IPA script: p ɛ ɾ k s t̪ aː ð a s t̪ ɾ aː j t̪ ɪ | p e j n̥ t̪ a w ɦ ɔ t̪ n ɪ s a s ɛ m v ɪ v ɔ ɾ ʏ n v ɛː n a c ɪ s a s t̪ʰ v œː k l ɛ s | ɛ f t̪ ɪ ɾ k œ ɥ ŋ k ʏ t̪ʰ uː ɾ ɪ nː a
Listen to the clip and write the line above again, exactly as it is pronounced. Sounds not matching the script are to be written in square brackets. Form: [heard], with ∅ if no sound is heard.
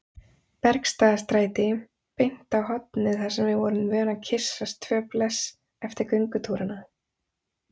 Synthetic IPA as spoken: p ɛ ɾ k s t̪ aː ð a s t̪ ɾ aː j t̪ ɪ | p e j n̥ t̪ a w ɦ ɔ t̪ n ɪ [θ] a s ɛ m v ɪ v ɔ ɾ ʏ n v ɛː n a [cʰ] ɪ s a s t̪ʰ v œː [p] l ɛ s | ɛ f t̪ ɪ ɾ k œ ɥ ŋ k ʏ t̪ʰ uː ɾ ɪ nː a